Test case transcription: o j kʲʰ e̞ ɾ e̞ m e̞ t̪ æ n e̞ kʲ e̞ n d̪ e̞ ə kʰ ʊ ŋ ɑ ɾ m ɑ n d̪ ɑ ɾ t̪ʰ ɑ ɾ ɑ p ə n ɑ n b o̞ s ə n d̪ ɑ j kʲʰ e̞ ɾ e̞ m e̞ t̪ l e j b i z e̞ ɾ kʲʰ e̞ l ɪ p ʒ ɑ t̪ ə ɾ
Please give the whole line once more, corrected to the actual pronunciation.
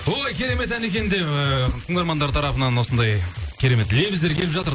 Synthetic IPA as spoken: o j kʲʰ e̞ ɾ e̞ m e̞ t̪ æ n e̞ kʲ e̞ n d̪ e̞ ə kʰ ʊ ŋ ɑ ɾ m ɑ n d̪ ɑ ɾ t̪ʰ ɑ ɾ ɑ p ə n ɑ n w o̞ s ə n d̪ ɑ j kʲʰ e̞ ɾ e̞ m e̞ t̪ l e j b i z e̞ ɾ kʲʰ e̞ l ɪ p ʒ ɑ t̪ ə ɾ

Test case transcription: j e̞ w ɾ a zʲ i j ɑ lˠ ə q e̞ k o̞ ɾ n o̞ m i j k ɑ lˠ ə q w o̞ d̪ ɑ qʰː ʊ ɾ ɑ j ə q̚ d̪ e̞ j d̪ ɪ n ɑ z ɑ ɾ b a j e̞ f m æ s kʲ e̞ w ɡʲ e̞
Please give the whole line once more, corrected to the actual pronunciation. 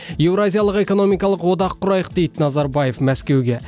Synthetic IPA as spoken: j e̞ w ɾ a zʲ i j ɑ lˠ ə q e̞ k o̞ n o̞ m i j k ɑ lˠ ə q w o̞ d̪ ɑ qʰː ʊ ɾ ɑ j ə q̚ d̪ e̞ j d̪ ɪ n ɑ z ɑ ɾ b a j e̞ f m æ s kʲ e̞ w ɡʲ e̞

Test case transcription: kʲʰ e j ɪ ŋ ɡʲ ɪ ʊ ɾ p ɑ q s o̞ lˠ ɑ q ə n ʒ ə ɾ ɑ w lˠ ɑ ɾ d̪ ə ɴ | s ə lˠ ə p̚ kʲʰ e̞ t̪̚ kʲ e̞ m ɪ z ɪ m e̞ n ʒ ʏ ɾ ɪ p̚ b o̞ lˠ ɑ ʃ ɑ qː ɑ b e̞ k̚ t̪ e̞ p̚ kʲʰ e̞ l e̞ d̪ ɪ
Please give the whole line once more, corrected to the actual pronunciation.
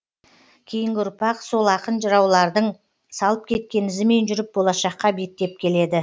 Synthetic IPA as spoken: kʲʰ e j ɪ ŋ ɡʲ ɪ ʊ ɾ p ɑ q s o̞ lˠ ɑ q ə n ʒ ə ɾ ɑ w lˠ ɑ ɾ d̪ ə ɴ | s ɑ lˠ ə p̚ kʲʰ e̞ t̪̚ kʲ e̞ n ɪ z ɪ m e̞ n ʒ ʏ ɾ ɪ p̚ b o̞ lˠ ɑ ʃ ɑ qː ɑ b e̞ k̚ t̪ e̞ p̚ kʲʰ e̞ l e̞ d̪ ɪ

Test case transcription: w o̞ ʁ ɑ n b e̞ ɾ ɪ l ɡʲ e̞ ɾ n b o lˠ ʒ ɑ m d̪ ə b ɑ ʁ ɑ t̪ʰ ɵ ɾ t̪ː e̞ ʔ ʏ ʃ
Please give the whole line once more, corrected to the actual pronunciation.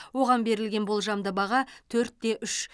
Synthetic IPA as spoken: w o̞ ʁ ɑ n b e̞ ɾ ɪ l ɡʲ e̞ n b o lˠ ʒ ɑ m d̪ ə b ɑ ʁ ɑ t̪ʰ ɵ ɾ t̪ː e̞ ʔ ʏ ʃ

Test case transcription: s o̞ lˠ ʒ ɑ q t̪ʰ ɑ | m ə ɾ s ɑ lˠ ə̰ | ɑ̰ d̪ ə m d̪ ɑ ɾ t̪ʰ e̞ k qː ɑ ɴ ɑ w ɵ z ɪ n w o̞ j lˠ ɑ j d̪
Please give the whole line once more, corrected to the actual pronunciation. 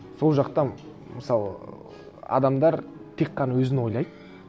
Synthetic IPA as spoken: s o̞ lˠ ʒ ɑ q t̪ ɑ | m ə s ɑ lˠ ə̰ | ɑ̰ d̪ ɑ m d̪ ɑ ɾ t̪ʰ e̞ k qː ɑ n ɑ w ɵ z ɪ n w o̞ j lˠ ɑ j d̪

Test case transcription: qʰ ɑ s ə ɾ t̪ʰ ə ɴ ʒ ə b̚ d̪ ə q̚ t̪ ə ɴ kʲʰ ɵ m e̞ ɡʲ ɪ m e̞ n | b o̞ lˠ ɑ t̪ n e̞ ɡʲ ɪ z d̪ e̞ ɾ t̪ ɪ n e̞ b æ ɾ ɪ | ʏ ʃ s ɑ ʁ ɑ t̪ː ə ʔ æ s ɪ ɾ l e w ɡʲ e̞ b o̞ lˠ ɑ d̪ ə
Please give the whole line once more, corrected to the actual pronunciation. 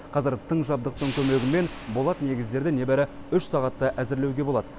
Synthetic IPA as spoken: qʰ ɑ z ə ɾ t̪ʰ ə ɴ ʒ ɑ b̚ d̪ ə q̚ t̪ ə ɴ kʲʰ ɵ m e̞ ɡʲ ɪ m e̞ n | b o̞ lˠ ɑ t̪ n e̞ ɡʲ ɪ z d̪ e̞ ɾ d̪ ɪ n e̞ b æ ɾ ɪ | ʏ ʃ s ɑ ʁ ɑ t̪ː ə ʔ æ z ɪ ɾ l e w ɡʲ e̞ b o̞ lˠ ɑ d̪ ə

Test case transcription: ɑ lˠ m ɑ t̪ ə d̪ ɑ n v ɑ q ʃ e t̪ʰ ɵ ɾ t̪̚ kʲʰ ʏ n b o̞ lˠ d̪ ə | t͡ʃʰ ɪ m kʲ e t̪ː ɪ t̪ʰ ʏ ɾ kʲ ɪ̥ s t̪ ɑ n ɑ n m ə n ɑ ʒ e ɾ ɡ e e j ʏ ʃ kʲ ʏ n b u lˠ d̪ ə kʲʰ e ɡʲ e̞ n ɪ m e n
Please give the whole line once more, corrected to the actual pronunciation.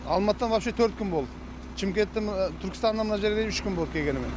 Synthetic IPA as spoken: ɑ lˠ m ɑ t̪ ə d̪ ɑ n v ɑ p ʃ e t̪ʰ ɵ ɾ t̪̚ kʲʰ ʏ n b o̞ lˠ d̪ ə | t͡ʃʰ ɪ m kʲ e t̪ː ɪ t̪ʰ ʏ ɾ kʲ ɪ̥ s t̪ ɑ n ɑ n m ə n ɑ ʒ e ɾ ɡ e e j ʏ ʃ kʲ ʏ n b o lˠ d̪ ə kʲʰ e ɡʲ e̞ n ɪ m e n

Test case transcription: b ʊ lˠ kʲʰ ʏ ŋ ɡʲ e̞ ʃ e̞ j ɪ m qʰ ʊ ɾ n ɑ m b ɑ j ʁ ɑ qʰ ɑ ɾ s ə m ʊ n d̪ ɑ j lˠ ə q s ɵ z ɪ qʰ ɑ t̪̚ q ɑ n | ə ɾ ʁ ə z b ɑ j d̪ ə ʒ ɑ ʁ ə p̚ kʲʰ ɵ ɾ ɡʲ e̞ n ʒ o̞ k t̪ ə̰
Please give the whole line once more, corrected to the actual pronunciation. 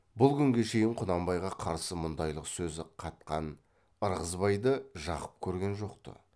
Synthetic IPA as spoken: b ʊ lˠ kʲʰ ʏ ŋ ɡʲ e̞ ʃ e̞ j ɪ ɴ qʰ ʊ n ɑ m b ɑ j ʁ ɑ qʰ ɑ ɾ s ə m ʊ n d̪ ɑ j lˠ ə q s ɵ z ɪ qʰ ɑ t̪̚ q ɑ n | ə ɾ ʁ ə z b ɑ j d̪ ə ʒ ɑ ʁ ə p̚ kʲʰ ɵ ɾ ɡʲ e̞ n ʒ o̞ q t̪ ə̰

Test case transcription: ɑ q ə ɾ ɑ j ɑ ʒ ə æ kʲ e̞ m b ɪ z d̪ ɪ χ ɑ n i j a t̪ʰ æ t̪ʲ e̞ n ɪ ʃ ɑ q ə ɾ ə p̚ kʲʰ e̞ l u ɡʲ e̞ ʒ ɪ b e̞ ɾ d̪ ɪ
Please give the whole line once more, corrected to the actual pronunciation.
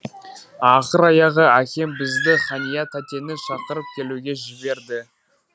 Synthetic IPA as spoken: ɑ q ə ɾ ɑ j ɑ ʁ ə æ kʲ e̞ m b ɪ z d̪ ɪ χ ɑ n i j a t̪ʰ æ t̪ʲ e̞ n ɪ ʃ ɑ q ə ɾ ə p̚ kʲʰ e̞ l u ɡʲ e̞ ʒ ɪ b e̞ ɾ d̪ ɪ

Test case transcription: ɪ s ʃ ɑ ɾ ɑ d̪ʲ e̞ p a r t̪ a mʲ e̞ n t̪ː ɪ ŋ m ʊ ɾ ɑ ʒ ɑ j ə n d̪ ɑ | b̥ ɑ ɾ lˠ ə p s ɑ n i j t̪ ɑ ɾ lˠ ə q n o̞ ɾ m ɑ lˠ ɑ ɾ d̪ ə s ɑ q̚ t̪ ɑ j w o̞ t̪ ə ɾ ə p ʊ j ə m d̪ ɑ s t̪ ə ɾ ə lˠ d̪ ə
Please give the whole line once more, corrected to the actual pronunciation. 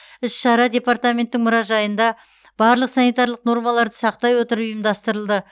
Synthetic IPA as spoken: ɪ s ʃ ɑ ɾ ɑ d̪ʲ e̞ p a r t̪ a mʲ e̞ n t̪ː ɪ ŋ m ʊ ɾ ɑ ʒ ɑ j ə n d̪ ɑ | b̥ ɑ ɾ lˠ ə q s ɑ n i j t̪ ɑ ɾ lˠ ə q n o̞ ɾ m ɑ lˠ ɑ ɾ d̪ ə s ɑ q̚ t̪ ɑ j w o̞ t̪ ə ɾ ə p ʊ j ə m d̪ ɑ s t̪ ə ɾ ə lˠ d̪ ə

